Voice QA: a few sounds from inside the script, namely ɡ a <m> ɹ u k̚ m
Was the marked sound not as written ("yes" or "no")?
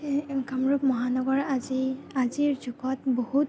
no